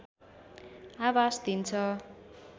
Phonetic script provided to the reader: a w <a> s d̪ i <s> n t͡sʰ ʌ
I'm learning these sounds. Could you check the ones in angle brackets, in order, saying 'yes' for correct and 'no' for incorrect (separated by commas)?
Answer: yes, no